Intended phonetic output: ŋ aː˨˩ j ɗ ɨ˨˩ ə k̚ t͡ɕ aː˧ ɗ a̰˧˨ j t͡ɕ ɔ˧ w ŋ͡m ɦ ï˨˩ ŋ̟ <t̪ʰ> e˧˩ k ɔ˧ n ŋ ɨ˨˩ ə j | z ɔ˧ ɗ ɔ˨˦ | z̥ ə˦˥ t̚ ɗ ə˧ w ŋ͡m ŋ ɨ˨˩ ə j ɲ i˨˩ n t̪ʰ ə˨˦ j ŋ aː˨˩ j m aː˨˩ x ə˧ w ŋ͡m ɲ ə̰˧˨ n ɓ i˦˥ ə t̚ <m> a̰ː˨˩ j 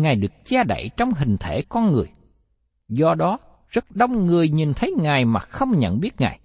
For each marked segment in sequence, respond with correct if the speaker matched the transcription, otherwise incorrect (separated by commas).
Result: correct, incorrect